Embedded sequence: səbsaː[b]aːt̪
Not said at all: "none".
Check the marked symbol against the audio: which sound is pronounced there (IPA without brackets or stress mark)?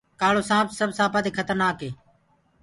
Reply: p